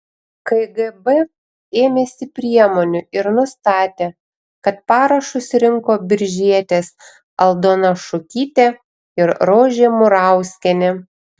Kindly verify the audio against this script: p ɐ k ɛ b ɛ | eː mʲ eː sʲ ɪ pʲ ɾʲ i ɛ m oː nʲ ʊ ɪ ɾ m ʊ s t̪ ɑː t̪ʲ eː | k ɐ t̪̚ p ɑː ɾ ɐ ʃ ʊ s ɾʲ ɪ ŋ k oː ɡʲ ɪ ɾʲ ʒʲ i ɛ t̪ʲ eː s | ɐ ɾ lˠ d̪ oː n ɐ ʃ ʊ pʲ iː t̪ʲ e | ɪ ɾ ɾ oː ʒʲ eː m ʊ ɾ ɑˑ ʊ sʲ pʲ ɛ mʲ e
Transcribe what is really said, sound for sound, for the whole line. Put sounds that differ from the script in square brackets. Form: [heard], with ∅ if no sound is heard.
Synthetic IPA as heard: [k] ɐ [ɡ] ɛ b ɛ | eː mʲ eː sʲ ɪ pʲ ɾʲ i ɛ m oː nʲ ʊ ɪ ɾ [n] ʊ s t̪ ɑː t̪ʲ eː | k ɐ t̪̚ p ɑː ɾ ɐ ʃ ʊ s ɾʲ ɪ ŋ k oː [bʲ] ɪ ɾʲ ʒʲ i ɛ t̪ʲ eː s | ɐ [∅] lˠ d̪ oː n ɐ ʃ ʊ [kʲ] iː t̪ʲ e | ɪ ɾ ɾ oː ʒʲ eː m ʊ ɾ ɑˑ ʊ sʲ [kʲ] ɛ [nʲ] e